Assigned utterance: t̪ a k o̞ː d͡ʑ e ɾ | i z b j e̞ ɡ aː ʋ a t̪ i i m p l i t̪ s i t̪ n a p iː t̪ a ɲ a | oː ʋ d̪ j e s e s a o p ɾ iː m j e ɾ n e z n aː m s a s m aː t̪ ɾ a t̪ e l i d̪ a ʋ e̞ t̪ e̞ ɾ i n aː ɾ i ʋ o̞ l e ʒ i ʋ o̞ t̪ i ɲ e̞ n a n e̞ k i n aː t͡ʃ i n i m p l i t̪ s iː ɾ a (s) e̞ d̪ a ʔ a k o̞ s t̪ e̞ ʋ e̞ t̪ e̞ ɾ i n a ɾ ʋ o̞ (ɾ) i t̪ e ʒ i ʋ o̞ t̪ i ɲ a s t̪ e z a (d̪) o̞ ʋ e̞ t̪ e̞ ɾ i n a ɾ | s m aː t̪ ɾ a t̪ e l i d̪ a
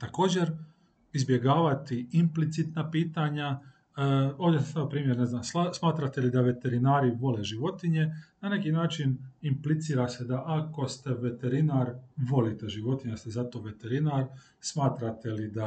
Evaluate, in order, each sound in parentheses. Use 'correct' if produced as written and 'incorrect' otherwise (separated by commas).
correct, incorrect, incorrect